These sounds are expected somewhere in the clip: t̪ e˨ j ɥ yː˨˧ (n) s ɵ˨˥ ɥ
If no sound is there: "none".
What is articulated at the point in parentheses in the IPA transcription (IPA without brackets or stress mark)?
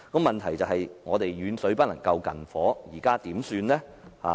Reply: n